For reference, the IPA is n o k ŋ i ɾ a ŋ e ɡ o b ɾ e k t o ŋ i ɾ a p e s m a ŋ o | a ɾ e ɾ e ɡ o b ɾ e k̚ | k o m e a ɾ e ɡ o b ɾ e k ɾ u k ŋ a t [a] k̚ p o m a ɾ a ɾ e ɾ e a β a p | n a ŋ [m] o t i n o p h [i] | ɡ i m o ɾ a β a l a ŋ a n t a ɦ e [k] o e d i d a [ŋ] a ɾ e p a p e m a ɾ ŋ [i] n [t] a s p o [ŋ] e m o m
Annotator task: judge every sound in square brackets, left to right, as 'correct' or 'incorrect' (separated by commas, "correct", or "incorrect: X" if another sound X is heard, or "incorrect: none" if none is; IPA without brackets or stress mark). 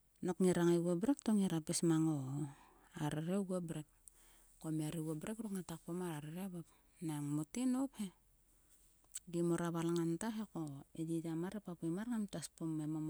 correct, correct, incorrect: e, correct, incorrect: m, incorrect: a, correct, incorrect: m